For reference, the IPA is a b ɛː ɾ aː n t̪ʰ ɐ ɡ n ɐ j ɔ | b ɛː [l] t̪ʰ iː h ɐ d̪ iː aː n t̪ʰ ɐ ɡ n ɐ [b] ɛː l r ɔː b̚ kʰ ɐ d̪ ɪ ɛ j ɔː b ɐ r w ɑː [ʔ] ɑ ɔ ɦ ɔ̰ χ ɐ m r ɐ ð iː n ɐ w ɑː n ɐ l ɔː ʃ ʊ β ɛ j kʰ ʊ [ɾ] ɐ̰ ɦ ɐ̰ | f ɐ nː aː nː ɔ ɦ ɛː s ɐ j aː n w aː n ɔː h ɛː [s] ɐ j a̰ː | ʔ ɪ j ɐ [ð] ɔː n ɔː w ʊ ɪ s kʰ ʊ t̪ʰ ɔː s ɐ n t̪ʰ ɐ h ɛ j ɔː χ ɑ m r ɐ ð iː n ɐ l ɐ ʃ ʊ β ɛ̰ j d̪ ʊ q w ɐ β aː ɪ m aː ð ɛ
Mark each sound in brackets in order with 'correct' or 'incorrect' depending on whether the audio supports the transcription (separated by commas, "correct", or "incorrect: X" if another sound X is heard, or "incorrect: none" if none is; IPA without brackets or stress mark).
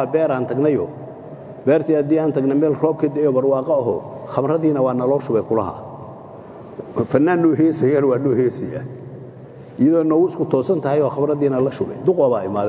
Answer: incorrect: r, incorrect: m, incorrect: q, incorrect: l, correct, correct